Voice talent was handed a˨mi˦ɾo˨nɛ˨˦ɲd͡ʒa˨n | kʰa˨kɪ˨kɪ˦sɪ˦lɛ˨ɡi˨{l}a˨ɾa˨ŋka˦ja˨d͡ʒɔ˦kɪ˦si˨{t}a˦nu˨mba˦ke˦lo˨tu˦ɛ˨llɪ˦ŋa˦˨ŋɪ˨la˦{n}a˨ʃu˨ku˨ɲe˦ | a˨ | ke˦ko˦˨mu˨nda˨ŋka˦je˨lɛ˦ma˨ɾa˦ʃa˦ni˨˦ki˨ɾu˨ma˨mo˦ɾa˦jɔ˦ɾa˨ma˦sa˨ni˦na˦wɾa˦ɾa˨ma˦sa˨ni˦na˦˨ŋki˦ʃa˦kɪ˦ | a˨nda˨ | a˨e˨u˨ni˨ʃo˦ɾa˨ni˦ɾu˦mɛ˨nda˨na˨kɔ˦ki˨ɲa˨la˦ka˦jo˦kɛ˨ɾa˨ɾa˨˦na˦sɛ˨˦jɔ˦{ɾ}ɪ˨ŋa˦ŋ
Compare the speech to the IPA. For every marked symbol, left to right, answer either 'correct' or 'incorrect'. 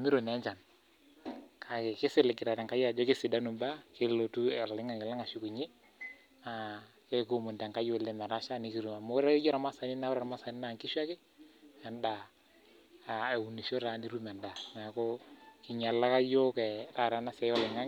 incorrect, incorrect, incorrect, incorrect

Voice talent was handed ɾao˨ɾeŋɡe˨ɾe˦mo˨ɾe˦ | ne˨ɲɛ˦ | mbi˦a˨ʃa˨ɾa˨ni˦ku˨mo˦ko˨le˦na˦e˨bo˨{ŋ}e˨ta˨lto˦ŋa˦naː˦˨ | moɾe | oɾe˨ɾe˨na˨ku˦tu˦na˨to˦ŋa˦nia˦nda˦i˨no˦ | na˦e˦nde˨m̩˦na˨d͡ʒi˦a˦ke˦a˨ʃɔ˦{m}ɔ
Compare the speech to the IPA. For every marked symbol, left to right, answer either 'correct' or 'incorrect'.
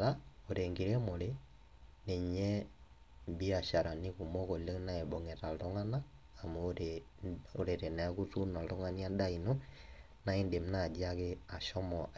correct, correct

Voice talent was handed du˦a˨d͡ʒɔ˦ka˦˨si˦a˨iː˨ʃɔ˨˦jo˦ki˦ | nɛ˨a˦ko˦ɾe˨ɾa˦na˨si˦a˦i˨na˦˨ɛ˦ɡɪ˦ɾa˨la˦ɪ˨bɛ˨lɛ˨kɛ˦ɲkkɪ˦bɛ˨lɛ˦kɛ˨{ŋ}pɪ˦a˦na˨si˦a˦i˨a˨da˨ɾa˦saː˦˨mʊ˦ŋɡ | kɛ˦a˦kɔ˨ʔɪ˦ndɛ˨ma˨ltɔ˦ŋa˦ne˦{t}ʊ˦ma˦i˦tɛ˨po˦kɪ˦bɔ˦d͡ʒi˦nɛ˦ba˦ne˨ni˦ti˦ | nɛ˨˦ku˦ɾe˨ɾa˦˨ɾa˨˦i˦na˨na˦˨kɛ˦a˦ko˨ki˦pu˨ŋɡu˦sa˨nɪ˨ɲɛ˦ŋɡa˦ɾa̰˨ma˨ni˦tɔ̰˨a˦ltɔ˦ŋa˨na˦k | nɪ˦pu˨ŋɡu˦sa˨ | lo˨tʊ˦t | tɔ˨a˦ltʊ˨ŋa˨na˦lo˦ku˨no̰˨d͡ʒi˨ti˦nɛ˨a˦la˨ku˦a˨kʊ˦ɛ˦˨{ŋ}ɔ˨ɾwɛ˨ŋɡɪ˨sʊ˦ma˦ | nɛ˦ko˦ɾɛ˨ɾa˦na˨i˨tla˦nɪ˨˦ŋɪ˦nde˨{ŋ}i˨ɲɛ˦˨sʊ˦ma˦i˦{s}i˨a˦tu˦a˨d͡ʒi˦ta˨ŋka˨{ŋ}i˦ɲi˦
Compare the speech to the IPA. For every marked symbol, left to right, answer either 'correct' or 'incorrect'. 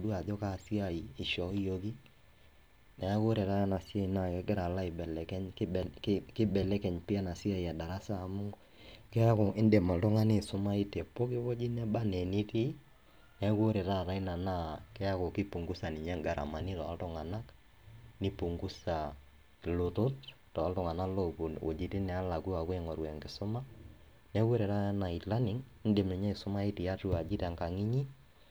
incorrect, incorrect, correct, incorrect, incorrect, correct

